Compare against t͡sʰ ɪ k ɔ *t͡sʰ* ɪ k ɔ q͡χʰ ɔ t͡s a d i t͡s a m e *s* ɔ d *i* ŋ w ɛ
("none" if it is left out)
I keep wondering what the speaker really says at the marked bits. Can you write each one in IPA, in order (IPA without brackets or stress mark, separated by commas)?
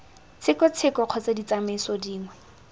t͡sʰ, s, iː